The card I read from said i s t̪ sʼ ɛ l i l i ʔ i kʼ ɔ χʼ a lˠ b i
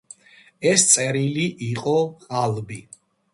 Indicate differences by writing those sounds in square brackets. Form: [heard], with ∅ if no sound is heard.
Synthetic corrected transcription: [ɛ] s t̪ sʼ ɛ [ɾ] i l i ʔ i [qʼ] ɔ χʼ a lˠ b i

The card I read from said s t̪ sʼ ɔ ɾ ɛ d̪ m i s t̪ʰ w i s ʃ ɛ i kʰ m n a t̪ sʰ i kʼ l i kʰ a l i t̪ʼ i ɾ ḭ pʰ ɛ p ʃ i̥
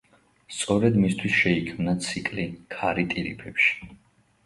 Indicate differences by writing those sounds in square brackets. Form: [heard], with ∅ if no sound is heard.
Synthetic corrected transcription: s t̪ sʼ ɔ ɾ ɛ d̪ m i s t̪ʰ w i s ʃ ɛ i kʰ m n a t̪ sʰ i kʼ l i kʰ a [ɾ] i t̪ʼ i ɾ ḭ pʰ ɛ p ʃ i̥

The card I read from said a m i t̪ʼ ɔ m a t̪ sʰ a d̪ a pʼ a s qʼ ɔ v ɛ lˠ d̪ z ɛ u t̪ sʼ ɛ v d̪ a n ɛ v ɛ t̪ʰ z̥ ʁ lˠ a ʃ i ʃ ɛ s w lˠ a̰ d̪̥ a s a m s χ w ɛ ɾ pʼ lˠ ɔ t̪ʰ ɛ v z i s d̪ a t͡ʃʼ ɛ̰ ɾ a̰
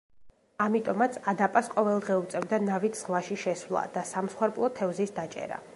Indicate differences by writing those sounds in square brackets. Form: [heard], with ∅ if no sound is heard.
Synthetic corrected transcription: a m i t̪ʼ ɔ m a t̪ sʰ a d̪ a pʼ a s qʼ ɔ v ɛ lˠ d̪ [ʁ] ɛ u t̪ sʼ ɛ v d̪ a n [a] v [i] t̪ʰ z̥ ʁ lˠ a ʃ i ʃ ɛ s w lˠ a̰ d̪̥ a s a m s χ w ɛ ɾ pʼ lˠ ɔ t̪ʰ ɛ v z i s d̪ a t͡ʃʼ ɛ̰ ɾ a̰

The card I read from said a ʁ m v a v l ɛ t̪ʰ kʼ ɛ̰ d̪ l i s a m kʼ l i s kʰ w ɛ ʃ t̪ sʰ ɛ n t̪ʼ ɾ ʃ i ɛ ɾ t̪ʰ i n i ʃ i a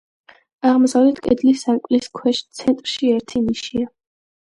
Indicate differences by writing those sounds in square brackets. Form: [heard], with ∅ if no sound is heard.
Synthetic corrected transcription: a ʁ m [z] a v l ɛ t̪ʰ kʼ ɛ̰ d̪ l i s a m kʼ l i s kʰ w ɛ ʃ t̪ sʰ ɛ n t̪ʼ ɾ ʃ i ɛ ɾ t̪ʰ i n i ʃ i a

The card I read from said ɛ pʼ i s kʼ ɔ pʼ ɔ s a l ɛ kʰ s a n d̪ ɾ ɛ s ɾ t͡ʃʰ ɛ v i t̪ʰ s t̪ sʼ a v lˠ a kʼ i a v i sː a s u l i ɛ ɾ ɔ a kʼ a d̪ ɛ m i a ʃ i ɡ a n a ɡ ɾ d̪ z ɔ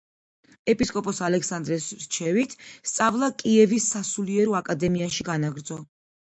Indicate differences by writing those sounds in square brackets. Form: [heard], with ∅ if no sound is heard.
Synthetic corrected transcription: ɛ pʼ i s kʼ ɔ pʼ ɔ s a l ɛ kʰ s a n d̪ ɾ ɛ s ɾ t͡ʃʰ ɛ v i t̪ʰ s t̪ sʼ a v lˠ a kʼ i [ɛ] v i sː a s u l i ɛ ɾ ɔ a kʼ a d̪ ɛ m i a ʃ i ɡ a n a ɡ ɾ d̪ z ɔ

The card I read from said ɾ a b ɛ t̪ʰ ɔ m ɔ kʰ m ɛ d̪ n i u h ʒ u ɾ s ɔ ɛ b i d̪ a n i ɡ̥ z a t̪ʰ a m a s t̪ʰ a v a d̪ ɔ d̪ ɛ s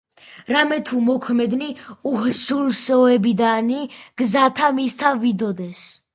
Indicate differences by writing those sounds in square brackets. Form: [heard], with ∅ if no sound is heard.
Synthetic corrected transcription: ɾ a [m] ɛ t̪ʰ [u] m ɔ kʰ m ɛ d̪ n i u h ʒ u ɾ s ɔ ɛ b i d̪ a n i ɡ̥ z a t̪ʰ a m [i] s t̪ʰ a v [i] d̪ ɔ d̪ ɛ s

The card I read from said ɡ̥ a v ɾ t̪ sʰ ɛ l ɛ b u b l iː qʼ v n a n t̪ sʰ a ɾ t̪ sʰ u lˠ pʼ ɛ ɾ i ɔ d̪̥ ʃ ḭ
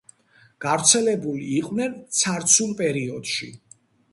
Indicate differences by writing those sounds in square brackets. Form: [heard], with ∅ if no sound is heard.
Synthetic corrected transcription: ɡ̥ a v ɾ t̪ sʰ ɛ l ɛ b u [∅] l iː qʼ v n [ɛ] n t̪ sʰ a ɾ t̪ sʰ u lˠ pʼ ɛ ɾ i ɔ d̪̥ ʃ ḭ

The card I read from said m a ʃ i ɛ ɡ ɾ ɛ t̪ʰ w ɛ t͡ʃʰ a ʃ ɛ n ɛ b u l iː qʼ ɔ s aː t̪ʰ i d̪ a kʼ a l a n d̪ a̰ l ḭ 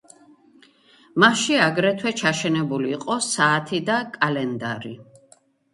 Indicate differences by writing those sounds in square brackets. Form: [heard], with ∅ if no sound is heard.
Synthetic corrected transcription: m a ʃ i [a] ɡ ɾ ɛ t̪ʰ w ɛ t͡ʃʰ a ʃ ɛ n ɛ b u l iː qʼ ɔ s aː t̪ʰ i d̪ a kʼ a l [ɛ] n d̪ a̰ [ɾ] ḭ

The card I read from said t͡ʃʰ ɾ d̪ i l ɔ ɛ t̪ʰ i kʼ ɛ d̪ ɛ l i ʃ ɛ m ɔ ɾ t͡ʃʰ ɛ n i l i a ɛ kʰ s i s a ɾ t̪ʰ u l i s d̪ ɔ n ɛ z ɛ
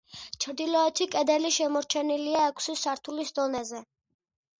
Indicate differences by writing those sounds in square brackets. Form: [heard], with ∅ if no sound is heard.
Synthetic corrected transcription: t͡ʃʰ ɾ d̪ i l ɔ ɛ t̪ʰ i kʼ ɛ d̪ ɛ l i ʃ ɛ m ɔ ɾ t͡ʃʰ ɛ n i l i a ɛ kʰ s i s a ɾ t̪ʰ u l i s d̪ ɔ n ɛ z ɛ

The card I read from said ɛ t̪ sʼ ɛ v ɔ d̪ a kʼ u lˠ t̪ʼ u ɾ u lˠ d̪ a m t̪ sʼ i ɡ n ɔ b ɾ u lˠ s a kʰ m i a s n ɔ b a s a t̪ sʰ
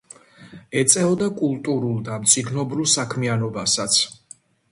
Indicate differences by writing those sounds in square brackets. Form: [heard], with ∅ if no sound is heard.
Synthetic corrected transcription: ɛ t̪ sʼ ɛ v ɔ d̪ a kʼ u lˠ t̪ʼ u ɾ u lˠ d̪ a m t̪ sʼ i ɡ n ɔ b ɾ u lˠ s a kʰ m i a [∅] n ɔ b a s a t̪ sʰ

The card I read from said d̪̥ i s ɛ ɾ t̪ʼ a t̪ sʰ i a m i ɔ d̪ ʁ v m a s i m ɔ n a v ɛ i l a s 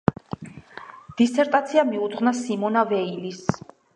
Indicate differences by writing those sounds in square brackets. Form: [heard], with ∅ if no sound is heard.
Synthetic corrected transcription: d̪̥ i s ɛ ɾ t̪ʼ a t̪ sʰ i a m i [u] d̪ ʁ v [n] a s i m ɔ n a v ɛ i l [i] s

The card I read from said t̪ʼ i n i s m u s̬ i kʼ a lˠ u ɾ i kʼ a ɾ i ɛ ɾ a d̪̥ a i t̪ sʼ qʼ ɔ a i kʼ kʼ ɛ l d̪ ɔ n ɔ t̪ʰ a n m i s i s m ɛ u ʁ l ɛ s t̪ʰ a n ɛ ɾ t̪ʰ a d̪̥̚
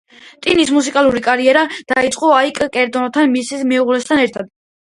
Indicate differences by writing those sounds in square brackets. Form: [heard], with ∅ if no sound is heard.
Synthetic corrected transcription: t̪ʼ i n i s m u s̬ i kʼ a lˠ u ɾ i kʼ a ɾ i ɛ ɾ a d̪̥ a i t̪ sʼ qʼ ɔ a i kʼ kʼ ɛ [ɾ] d̪ ɔ n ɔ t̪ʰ a n m i s i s m ɛ u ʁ l ɛ s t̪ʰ a n ɛ ɾ t̪ʰ a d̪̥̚

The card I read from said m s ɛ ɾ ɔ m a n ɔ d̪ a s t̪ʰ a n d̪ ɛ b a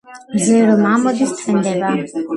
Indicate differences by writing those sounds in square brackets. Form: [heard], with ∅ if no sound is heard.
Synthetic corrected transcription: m [z] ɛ ɾ ɔ m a [m] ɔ d̪ [i] s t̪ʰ [ɛ] n d̪ ɛ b a

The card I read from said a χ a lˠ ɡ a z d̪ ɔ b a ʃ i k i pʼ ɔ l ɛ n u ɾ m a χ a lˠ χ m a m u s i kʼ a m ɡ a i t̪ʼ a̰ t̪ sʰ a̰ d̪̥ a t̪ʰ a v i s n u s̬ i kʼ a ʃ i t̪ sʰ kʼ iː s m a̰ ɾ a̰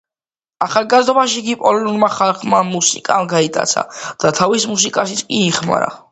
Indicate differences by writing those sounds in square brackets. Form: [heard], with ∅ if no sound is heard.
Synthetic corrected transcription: a χ a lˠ ɡ a z d̪ ɔ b a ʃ i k i pʼ ɔ l ɛ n u ɾ m a χ a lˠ χ m a m u s i kʼ a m ɡ a i t̪ʼ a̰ t̪ sʰ a̰ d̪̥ a t̪ʰ a v i s [m] u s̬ i kʼ a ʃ i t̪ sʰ kʼ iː [χ] m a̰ ɾ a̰

